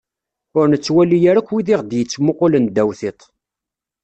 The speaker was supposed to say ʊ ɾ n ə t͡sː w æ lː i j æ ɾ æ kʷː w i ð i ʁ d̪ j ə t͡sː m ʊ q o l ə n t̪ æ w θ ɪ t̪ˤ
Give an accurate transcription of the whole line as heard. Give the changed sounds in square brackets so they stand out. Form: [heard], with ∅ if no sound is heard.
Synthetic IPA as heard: ʊ ɾ n ə t͡sː w æ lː i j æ ɾ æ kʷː w i ð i ʁ d̪ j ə t͡sː m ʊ q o l ə n [d̪] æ w θ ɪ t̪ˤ